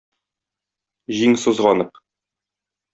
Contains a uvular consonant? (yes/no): yes